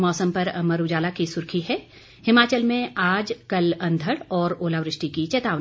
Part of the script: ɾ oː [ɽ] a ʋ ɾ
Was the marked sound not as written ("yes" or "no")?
yes